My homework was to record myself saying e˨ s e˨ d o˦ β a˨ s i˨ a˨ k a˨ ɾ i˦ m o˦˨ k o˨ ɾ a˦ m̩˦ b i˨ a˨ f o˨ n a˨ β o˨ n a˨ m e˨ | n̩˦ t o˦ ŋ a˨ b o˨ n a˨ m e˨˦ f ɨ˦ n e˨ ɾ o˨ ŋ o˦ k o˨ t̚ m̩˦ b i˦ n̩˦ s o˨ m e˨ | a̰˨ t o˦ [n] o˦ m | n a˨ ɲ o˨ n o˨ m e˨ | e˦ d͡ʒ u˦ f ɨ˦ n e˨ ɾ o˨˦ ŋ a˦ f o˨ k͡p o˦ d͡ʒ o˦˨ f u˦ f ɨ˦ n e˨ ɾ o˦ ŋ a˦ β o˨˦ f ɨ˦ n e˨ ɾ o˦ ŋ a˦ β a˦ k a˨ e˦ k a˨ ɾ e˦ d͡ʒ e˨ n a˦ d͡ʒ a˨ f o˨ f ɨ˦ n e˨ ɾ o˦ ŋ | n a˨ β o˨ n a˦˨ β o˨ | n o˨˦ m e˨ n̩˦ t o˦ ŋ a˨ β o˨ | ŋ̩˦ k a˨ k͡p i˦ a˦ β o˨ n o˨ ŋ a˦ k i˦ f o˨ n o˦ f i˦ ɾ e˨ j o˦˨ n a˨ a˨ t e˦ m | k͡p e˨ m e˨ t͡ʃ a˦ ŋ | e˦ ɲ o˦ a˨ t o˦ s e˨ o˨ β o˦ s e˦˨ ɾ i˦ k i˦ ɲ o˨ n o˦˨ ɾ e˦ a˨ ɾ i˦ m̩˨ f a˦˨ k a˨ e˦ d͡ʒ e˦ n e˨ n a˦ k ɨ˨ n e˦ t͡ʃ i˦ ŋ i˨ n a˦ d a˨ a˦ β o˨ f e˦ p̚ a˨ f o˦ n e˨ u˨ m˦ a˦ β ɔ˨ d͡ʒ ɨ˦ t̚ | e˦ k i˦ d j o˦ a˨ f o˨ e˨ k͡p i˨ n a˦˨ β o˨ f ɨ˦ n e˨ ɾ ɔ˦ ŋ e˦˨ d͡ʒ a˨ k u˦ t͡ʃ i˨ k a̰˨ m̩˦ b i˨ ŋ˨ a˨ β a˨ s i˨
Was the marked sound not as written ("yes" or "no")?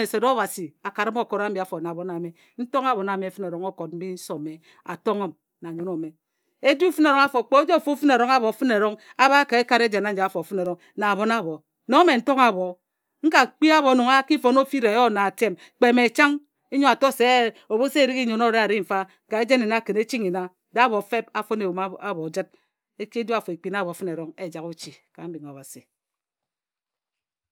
yes